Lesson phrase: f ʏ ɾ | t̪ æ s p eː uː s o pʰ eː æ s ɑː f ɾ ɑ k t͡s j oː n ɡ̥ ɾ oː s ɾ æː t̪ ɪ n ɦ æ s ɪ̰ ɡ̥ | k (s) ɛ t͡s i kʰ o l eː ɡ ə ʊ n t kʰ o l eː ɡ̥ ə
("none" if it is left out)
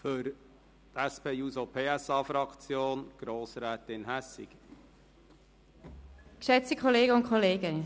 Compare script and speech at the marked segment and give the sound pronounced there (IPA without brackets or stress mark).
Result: ʃ